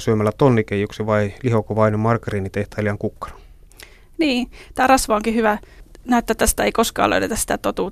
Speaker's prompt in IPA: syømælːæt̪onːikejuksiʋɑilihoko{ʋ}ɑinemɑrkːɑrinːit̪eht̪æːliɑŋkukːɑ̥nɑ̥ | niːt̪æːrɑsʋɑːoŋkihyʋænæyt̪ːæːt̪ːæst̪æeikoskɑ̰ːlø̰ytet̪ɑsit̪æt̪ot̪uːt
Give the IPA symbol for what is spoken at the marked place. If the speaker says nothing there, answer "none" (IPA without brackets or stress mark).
ʋ